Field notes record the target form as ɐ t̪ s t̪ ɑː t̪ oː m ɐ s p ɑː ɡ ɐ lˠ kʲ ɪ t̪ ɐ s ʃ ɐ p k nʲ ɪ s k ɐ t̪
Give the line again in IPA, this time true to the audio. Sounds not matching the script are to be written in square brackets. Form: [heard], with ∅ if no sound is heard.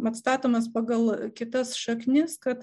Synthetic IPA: ɐ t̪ s t̪ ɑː t̪ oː m ɐ s p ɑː ɡ ɐ lˠ kʲ ɪ t̪ ɐ s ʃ ɐ [∅] k nʲ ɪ s k ɐ t̪